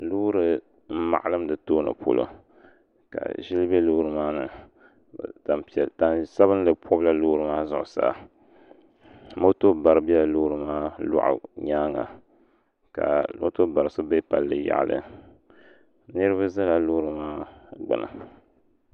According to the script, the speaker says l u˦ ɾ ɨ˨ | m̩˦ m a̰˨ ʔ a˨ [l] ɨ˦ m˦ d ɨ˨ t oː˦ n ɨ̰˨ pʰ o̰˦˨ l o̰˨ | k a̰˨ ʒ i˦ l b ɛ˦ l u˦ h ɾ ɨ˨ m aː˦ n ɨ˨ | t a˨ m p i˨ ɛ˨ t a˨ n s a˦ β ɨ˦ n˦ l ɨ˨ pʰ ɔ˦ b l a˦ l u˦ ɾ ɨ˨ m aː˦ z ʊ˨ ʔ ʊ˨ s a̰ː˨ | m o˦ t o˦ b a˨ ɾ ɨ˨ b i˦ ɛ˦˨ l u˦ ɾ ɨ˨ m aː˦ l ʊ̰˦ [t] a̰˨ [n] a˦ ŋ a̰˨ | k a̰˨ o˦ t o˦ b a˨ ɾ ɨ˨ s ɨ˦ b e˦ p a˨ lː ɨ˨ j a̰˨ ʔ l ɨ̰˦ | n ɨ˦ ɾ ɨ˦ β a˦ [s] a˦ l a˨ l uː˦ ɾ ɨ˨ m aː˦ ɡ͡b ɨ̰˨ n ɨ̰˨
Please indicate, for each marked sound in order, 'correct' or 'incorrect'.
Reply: correct, incorrect, incorrect, incorrect

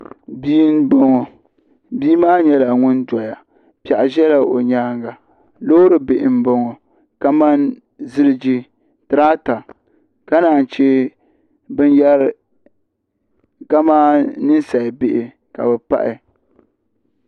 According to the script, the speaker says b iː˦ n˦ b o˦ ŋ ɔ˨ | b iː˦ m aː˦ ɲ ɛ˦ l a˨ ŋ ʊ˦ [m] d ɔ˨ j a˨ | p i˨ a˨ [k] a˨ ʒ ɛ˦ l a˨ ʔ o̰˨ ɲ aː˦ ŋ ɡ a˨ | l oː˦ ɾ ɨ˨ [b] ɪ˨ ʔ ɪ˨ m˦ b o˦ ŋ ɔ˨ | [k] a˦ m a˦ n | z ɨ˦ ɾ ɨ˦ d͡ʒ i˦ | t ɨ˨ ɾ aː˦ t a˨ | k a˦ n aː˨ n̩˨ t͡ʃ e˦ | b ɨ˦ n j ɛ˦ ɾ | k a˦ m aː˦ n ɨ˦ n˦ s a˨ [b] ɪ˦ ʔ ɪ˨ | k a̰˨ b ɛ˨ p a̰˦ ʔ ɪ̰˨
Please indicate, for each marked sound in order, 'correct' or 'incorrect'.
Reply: incorrect, incorrect, correct, correct, correct

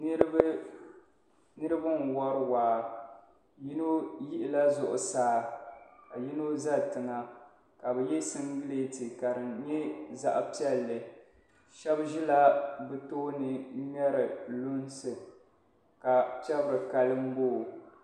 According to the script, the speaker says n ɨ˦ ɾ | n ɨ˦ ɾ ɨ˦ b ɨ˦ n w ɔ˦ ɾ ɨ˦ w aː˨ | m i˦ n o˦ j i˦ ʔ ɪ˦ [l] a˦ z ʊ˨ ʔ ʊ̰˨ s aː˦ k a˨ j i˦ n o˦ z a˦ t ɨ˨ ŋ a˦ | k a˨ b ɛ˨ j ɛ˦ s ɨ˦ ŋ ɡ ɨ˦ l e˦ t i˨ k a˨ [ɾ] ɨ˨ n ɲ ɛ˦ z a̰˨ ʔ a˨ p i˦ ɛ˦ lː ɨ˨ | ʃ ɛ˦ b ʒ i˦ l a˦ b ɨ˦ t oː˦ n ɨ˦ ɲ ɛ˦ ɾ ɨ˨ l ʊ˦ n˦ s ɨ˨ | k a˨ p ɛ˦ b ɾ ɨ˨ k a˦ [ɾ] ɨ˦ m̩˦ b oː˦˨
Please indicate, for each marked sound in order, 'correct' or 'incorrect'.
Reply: correct, correct, incorrect

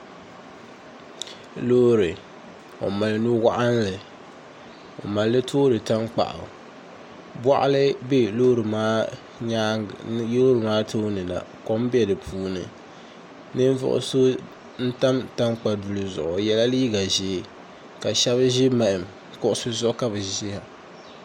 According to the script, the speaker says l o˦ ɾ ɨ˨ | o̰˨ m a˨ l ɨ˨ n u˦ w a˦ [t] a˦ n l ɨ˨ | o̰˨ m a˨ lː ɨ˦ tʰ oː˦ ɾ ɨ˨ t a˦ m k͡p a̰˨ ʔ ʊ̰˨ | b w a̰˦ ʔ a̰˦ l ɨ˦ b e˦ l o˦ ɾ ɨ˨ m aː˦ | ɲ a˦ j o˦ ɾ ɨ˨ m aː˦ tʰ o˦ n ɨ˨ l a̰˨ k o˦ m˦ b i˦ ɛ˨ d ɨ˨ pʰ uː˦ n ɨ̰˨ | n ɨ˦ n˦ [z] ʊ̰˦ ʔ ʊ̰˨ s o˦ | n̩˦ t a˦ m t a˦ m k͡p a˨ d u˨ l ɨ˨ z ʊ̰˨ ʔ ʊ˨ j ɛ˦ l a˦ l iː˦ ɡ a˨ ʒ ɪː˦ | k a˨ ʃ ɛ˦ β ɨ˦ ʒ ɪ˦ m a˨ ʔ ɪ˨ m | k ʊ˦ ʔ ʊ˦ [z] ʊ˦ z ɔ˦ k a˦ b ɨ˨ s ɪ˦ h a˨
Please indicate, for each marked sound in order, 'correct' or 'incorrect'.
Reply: incorrect, incorrect, incorrect

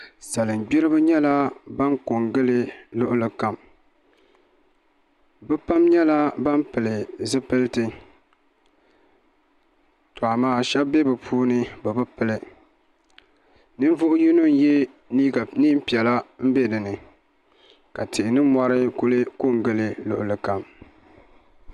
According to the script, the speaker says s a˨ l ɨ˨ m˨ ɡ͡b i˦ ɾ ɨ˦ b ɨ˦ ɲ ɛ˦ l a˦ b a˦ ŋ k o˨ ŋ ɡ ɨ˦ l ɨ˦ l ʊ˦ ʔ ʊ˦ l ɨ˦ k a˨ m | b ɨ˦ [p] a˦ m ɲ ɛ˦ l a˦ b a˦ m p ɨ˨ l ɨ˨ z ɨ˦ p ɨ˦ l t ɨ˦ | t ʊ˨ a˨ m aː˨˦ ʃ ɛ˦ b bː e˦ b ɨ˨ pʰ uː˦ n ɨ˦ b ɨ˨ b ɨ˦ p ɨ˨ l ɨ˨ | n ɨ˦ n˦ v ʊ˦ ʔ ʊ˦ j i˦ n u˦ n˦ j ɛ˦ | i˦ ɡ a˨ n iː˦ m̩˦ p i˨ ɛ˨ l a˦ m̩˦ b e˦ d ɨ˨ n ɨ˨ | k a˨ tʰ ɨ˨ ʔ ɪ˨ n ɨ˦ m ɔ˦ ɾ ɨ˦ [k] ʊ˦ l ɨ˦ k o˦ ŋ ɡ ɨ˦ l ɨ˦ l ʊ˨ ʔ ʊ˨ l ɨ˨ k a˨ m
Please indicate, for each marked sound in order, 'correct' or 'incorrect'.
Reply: correct, correct

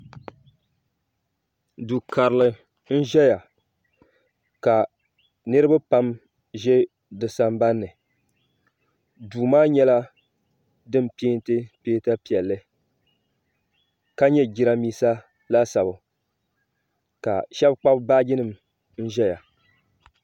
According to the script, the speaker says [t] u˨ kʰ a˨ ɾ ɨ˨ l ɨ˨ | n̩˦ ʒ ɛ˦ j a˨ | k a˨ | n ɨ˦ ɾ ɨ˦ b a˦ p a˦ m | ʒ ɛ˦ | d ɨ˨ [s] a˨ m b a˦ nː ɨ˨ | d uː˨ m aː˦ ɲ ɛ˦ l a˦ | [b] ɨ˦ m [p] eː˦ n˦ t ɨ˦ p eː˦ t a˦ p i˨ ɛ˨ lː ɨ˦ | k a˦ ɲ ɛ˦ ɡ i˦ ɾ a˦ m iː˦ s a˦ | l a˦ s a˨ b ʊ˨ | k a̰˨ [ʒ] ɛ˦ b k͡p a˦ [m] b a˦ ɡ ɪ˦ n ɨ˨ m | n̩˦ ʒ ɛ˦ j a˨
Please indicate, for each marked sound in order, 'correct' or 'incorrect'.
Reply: incorrect, correct, incorrect, correct, incorrect, incorrect

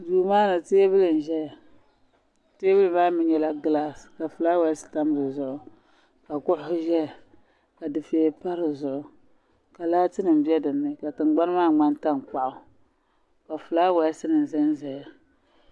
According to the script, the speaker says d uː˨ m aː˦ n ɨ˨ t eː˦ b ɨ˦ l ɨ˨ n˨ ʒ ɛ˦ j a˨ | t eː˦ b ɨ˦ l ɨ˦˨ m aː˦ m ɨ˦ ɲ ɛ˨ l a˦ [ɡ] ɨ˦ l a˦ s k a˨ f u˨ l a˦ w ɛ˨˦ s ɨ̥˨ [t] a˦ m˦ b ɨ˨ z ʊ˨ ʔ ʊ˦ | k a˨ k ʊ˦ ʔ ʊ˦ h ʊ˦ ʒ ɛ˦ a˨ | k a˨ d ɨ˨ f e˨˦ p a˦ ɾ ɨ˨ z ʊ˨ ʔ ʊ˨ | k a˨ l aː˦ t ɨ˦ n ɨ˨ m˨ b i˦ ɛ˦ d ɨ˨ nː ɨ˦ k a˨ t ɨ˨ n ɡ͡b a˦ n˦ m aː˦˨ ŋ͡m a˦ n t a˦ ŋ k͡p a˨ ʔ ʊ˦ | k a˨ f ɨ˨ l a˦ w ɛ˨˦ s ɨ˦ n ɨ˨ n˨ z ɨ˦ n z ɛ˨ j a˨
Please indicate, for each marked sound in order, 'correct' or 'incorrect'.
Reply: correct, correct

